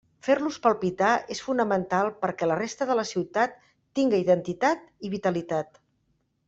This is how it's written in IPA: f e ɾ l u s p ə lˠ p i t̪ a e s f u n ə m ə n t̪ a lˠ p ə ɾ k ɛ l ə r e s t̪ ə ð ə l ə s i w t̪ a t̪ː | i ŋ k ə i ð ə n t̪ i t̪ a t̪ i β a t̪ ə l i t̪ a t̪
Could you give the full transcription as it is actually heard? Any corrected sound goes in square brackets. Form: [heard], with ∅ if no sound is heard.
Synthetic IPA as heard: f e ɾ l u s p ə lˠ p i t̪ a e s f u n ə m ə n t̪ a lˠ p ə ɾ k ɛ l ə r e s t̪ ə ð ə l ə s i w t̪ a t̪ː | i ŋ [ɡ] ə i ð ə n t̪ i t̪ a t̪ i β [i] t̪ ə l i t̪ a t̪